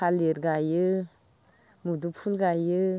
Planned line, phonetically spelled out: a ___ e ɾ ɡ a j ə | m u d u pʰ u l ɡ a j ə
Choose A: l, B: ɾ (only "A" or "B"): A